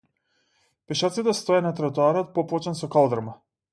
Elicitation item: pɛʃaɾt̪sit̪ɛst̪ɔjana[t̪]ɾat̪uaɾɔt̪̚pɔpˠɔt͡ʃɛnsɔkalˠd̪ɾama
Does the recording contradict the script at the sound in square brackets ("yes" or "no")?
no